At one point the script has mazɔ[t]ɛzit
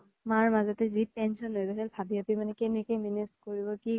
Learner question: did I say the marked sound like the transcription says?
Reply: yes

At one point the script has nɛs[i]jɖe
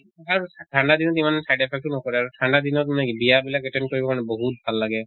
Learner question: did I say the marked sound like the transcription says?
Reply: no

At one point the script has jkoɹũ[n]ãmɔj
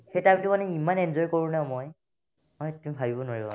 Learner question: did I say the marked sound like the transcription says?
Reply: yes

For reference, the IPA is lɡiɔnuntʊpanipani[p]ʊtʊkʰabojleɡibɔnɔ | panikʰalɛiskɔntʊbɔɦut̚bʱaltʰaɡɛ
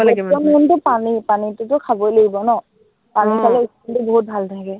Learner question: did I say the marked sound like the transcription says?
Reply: no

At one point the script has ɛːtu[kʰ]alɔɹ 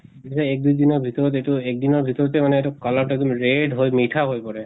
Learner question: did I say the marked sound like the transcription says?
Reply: no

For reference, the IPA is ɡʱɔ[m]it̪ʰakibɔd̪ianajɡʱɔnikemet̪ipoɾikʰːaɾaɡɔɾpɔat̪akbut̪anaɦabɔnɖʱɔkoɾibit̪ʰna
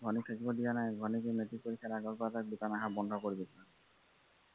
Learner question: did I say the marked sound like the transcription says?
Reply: no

